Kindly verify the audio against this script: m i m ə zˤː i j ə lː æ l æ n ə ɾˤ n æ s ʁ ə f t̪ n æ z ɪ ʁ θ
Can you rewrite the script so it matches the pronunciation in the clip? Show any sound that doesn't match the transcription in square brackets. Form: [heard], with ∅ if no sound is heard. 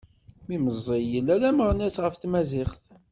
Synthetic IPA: m i m ə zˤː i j ə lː æ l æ [m] ə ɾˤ n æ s ʁ ə f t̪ [m] æ z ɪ [χ] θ